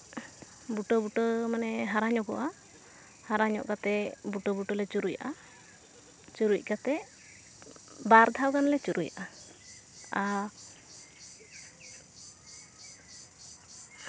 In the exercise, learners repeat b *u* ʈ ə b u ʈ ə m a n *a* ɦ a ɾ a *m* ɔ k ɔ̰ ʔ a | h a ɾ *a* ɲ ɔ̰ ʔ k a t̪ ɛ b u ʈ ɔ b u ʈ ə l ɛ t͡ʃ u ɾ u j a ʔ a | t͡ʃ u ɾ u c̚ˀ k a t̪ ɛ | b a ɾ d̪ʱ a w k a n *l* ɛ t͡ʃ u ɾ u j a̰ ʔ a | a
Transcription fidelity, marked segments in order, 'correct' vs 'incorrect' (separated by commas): correct, incorrect, incorrect, correct, correct